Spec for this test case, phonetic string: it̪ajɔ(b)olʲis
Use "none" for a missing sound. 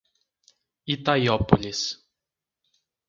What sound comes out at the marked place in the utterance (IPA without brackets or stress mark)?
p